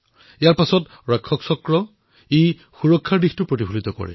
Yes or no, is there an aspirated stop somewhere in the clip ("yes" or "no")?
yes